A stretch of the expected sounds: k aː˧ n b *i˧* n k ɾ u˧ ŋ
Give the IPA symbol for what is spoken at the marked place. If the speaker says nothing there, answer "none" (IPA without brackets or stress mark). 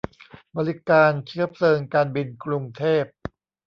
i˧